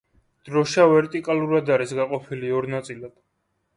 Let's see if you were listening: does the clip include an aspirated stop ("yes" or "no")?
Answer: yes